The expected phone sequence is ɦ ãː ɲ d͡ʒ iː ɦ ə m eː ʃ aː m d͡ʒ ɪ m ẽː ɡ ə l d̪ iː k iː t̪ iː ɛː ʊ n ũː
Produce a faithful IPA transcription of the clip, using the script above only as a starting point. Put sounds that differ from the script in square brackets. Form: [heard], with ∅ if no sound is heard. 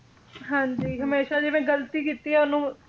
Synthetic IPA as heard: ɦ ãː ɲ d͡ʒ iː ɦ ə m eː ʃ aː [∅] d͡ʒ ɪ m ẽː ɡ ə l [t̪] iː k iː t̪ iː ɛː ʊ n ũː